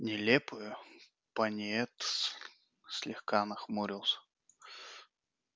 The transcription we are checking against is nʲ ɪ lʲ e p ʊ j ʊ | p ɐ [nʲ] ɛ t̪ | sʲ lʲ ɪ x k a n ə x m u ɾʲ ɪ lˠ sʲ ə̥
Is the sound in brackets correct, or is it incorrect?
correct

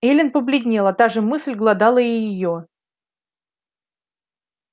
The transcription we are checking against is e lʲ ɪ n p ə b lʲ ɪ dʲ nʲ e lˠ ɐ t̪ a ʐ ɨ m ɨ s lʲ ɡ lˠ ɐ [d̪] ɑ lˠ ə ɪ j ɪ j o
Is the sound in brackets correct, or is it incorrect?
correct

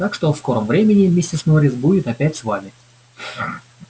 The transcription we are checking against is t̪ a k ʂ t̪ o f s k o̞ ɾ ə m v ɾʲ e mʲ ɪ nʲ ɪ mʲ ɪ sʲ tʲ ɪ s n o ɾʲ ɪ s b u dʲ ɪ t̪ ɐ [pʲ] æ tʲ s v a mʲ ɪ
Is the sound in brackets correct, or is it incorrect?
correct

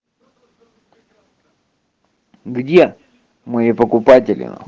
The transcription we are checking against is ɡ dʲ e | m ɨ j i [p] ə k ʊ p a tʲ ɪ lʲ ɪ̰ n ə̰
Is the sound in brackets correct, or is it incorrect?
correct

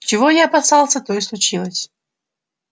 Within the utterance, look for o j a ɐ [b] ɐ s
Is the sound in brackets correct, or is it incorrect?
incorrect: p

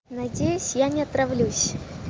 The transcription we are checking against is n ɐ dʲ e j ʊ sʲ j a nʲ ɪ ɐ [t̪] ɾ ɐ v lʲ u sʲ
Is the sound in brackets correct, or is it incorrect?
correct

